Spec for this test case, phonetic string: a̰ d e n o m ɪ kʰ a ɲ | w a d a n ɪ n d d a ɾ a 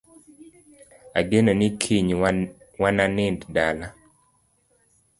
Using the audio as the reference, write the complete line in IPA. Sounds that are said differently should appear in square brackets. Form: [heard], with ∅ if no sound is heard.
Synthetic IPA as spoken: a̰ [ɡ] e n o [n] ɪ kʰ [i] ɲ | w a [n] a n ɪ n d d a [l] a

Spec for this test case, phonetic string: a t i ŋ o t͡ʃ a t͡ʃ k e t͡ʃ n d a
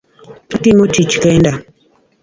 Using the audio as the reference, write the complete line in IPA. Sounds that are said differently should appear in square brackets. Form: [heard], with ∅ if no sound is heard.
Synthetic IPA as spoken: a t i [m] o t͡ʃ [i] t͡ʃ k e [∅] n d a

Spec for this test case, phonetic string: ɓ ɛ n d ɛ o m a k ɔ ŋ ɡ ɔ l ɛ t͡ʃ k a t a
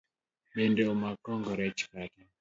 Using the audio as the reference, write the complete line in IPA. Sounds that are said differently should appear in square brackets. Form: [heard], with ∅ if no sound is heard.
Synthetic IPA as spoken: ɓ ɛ n d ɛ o m a k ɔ ŋ ɡ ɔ [ɾ] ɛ t͡ʃ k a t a

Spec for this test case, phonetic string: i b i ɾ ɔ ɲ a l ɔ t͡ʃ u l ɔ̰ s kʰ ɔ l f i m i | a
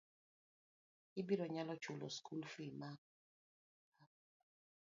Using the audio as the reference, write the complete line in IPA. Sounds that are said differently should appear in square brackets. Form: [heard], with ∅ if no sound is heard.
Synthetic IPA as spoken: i b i ɾ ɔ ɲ a l ɔ t͡ʃ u l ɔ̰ s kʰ [u] l f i m [a] | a

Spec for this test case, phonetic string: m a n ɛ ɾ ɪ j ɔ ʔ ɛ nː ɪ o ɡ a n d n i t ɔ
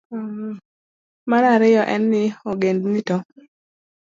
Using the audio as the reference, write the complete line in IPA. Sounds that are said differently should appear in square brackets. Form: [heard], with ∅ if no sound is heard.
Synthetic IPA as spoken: m a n [a] ɾ ɪ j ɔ ʔ ɛ nː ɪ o ɡ [e] n d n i t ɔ

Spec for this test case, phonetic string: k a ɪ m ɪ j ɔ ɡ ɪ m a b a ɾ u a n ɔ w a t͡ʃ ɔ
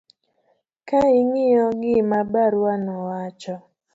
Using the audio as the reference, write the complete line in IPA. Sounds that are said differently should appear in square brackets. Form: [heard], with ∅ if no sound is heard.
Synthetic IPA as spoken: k a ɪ [ŋ] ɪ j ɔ ɡ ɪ m a b a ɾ [w] a n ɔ w a t͡ʃ ɔ

